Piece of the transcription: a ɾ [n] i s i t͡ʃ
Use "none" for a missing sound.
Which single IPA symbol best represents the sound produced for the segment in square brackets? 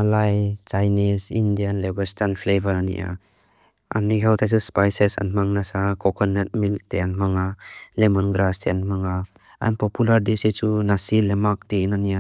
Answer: d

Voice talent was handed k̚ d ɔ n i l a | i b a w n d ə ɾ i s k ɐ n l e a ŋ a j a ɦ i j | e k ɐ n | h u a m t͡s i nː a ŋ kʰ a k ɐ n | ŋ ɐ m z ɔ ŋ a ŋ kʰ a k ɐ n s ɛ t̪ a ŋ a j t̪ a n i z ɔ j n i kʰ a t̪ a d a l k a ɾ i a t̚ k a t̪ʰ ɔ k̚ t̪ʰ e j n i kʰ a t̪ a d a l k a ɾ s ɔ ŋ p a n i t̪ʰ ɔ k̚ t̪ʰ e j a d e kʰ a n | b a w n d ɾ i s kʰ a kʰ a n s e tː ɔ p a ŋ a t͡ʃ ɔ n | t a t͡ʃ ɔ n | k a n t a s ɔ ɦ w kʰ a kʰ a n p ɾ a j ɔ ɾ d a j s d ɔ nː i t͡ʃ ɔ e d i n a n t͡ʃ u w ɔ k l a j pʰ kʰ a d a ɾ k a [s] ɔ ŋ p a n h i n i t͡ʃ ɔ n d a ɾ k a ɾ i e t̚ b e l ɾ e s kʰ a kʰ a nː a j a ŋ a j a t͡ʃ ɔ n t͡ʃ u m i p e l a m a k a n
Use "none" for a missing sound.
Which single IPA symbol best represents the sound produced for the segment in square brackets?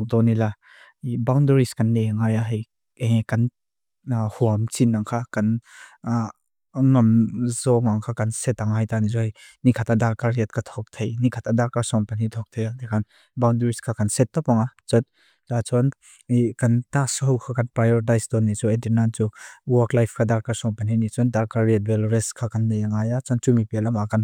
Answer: s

